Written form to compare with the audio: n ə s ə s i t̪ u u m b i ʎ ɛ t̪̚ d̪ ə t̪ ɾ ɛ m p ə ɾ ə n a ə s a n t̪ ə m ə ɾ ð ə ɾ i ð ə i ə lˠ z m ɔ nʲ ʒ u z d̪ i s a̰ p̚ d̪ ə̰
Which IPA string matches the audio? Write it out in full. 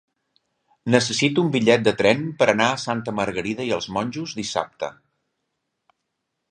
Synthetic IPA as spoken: n ə s ə s i t̪ u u m b i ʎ ɛ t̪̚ d̪ ə t̪ ɾ ɛ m p ə ɾ ə n a ə s a n t̪ ə m ə ɾ ɣ ə ɾ i ð ə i ə lˠ z m ɔ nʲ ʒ u z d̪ i s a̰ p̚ t̪ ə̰